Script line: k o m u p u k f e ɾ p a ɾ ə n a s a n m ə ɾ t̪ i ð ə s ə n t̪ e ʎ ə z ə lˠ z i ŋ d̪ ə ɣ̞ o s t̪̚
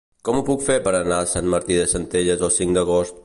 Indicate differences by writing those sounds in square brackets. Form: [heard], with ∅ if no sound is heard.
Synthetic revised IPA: k [ɔ] m u p u k f e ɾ p [ə] ɾ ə n a s a n m ə ɾ t̪ i ð ə s ə n t̪ e ʎ ə z ə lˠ [s] i ŋ d̪ ə ɣ̞ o s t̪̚